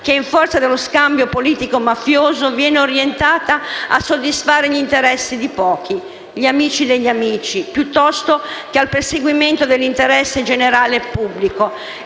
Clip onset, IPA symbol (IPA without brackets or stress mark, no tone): k